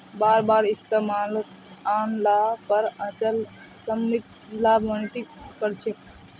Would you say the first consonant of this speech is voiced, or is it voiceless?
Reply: voiced